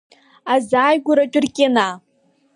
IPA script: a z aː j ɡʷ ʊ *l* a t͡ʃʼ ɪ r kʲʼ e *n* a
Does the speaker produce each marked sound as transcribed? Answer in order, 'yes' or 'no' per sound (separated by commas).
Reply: no, yes